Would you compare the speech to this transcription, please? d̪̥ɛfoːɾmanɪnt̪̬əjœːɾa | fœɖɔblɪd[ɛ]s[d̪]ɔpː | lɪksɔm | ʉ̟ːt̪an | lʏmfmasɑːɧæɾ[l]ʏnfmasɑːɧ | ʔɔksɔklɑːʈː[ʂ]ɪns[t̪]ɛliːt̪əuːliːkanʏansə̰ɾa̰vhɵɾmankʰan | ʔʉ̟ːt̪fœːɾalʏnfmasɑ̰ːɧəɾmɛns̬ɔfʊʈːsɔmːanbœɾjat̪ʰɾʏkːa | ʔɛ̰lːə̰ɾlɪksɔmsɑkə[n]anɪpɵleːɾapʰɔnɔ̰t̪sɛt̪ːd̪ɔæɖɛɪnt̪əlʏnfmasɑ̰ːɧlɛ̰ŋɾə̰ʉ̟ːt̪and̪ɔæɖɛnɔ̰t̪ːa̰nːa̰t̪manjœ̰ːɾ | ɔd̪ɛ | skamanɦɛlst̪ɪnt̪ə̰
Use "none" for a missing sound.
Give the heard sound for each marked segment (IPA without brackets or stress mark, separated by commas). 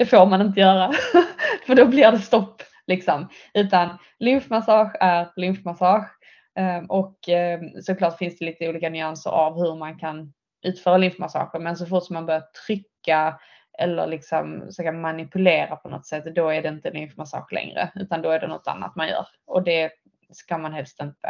ɛ, t̪, l, f, d̪, m